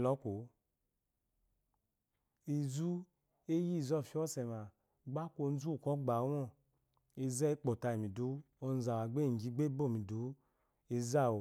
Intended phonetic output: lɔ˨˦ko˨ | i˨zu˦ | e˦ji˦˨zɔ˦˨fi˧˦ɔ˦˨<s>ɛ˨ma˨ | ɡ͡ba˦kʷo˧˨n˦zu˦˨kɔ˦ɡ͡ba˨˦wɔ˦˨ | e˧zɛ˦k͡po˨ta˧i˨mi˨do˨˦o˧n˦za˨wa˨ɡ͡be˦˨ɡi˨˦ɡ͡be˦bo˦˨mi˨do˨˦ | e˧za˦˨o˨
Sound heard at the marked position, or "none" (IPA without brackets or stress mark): s